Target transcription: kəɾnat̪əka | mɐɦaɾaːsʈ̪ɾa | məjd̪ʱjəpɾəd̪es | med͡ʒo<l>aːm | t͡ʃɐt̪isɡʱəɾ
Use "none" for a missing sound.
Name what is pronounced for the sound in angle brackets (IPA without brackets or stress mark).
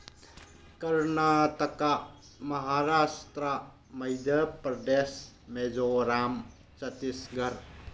ɾ